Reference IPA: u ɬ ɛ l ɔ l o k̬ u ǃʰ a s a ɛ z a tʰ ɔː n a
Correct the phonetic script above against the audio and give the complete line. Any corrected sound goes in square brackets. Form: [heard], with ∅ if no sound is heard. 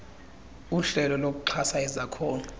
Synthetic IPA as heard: u ɬ ɛ l ɔ l o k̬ u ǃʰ a s a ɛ z a [kʰ] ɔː n a